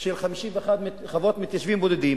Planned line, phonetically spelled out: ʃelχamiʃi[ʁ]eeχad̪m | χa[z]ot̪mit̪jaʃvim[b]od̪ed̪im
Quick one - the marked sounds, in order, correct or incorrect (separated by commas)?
incorrect, incorrect, correct